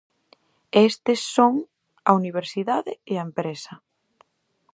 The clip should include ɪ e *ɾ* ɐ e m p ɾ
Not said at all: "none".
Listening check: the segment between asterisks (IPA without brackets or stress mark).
none